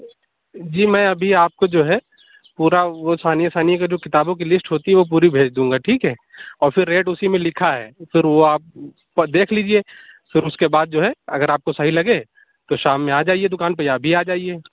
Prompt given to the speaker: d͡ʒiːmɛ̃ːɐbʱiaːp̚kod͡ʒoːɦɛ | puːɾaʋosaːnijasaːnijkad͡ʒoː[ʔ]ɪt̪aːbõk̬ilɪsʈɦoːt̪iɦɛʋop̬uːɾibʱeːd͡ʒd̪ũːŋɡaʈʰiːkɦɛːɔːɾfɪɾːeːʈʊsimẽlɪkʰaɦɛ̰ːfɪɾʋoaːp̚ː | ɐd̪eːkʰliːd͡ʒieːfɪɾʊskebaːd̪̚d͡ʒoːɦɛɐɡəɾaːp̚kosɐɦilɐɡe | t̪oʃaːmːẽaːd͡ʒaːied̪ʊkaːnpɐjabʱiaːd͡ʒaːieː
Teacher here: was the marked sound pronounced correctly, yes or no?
no